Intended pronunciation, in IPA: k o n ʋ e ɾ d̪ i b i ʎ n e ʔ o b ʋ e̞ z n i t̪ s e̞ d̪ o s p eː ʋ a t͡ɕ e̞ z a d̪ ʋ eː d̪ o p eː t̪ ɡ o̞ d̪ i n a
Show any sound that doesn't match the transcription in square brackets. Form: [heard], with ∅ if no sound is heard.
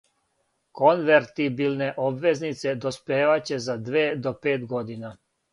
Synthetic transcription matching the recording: k o n ʋ e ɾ [t̪] i b i [l] n e ʔ o b ʋ e̞ z n i t̪ s e̞ d̪ o s p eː ʋ a t͡ɕ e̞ z a d̪ ʋ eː d̪ o p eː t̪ ɡ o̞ d̪ i n a